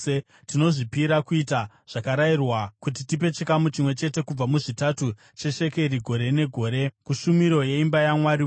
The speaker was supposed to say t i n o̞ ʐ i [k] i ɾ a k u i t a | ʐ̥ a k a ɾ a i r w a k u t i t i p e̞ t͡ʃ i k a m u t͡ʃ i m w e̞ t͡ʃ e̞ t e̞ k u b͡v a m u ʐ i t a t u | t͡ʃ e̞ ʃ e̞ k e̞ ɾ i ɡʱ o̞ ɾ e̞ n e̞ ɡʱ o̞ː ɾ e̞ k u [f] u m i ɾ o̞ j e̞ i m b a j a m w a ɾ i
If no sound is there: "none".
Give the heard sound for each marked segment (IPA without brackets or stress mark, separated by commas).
p, ʃ